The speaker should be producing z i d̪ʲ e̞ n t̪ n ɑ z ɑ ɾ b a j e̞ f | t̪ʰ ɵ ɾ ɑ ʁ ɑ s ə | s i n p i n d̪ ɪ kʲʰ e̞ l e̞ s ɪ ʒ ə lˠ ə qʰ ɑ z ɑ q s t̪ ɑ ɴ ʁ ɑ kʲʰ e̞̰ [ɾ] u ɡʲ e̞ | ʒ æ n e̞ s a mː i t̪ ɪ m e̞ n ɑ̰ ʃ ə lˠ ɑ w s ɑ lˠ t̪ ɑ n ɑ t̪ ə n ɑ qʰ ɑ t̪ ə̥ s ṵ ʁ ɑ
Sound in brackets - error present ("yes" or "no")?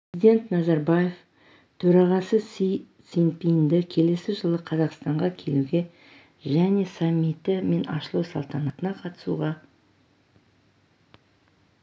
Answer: yes